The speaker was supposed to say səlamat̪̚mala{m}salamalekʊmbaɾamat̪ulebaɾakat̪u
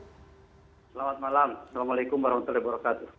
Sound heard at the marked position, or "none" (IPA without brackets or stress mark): m